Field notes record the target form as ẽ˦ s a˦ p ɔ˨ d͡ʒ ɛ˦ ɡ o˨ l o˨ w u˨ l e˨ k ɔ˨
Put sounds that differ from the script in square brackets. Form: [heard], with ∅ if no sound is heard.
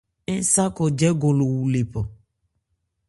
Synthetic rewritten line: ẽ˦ s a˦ [k] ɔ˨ d͡ʒ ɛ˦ ɡ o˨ l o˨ w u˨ l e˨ [p] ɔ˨